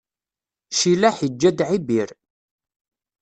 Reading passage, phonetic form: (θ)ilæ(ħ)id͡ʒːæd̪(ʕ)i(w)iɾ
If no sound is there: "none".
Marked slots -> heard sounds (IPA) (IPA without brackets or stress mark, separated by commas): ʃ, ħ, ʕ, b